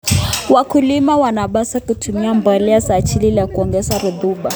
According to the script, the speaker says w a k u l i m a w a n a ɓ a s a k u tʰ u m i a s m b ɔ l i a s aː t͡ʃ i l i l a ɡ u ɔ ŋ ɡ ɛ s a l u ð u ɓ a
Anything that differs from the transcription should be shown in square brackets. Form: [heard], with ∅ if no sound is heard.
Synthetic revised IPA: w a k u l i m a w a n a ɓ a s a k u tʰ u m i a [∅] m b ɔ l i a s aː t͡ʃ i l i l a [k] u ɔ ŋ ɡ ɛ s a [ɾ] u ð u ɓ a